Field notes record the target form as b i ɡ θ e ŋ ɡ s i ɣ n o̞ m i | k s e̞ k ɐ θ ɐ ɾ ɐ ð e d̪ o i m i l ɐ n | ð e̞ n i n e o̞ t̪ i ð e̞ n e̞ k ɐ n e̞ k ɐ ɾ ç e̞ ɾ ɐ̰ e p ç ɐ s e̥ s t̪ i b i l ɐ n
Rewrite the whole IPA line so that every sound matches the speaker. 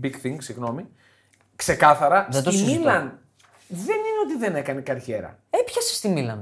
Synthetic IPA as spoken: b i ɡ θ i ŋ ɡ s i ɣ n o̞ m i | k s e̞ k ɐ θ ɐ ɾ ɐ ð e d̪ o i m i l ɐ n | ð e̞ n i n e o̞ t̪ i ð e̞ n e̞ k ɐ n e̞ k ɐ ɾ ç e̞ ɾ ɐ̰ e p ç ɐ s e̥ s t̪ i m i l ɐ n